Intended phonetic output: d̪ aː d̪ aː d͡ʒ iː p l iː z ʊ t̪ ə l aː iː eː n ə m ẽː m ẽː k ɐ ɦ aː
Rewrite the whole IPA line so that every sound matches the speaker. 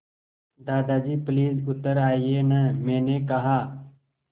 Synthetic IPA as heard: d̪ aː d̪ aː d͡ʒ iː p l iː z ʊ t̪ ə ɾ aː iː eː n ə m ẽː n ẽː k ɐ ɦ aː

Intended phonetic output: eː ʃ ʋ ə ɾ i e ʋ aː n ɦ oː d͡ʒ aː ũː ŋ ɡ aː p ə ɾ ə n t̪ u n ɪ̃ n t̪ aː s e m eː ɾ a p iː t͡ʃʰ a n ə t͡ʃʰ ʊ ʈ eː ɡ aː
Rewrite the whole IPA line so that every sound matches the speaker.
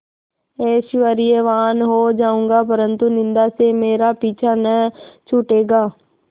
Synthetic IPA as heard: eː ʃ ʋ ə ɾ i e ʋ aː n ɦ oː d͡ʒ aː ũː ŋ ɡ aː p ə ɾ ə n t̪ u n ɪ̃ n d̪ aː s e m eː ɾ a p iː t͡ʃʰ a n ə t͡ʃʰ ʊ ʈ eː ɡ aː

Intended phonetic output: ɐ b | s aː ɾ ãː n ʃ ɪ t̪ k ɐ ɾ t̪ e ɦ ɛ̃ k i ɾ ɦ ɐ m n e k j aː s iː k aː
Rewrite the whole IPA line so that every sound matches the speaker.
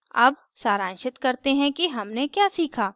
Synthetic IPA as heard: ɐ b | s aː ɾ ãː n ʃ ɪ t̪ k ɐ ɾ t̪ e ɦ ɛ̃ k i ɦ ɐ m n e k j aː s iː kʰ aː

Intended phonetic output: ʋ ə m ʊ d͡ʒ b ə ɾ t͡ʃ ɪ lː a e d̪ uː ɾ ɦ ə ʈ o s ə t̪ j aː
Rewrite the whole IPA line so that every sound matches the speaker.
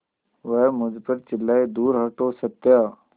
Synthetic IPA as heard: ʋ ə m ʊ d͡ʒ p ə ɾ t͡ʃ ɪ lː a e d̪ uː ɾ ɦ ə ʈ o s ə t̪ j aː

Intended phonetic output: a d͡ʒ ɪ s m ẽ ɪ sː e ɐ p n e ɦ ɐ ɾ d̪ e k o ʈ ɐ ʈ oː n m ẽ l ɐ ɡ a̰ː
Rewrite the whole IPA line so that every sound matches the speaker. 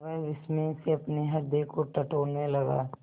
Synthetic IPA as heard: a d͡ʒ ɪ s m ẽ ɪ s e ɐ p n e ɦ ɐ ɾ d̪ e k o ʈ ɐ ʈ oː n m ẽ l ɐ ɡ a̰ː

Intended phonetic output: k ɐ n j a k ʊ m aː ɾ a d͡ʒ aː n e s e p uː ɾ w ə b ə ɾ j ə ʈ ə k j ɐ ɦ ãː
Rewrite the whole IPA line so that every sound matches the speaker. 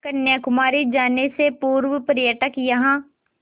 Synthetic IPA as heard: k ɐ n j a k ʊ m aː ɾ i d͡ʒ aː n e s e p uː ɾ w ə p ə ɾ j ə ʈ ə k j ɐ ɦ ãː

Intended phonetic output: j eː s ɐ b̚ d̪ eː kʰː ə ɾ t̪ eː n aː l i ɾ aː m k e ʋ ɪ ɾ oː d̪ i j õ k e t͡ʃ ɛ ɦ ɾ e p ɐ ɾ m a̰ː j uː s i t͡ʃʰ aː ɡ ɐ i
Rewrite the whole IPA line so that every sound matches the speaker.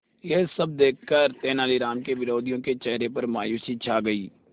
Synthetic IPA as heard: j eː s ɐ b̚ d̪ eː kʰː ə ɾ t̪ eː n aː l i ɾ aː m k e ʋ ɪ ɾ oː d̪ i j õ k e t͡ʃ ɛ ɦ ɾ e p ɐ ɾ m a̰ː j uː s i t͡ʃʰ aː ɡ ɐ iː

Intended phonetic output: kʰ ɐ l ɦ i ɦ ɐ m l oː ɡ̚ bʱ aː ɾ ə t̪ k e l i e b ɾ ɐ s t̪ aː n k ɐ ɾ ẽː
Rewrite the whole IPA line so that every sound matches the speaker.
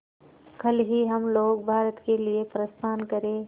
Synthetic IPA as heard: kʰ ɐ l ɦ i ɦ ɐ m l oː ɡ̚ bʱ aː ɾ ə t̪ k e l i e p ɾ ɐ s t̪ʰ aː n k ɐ ɾ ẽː

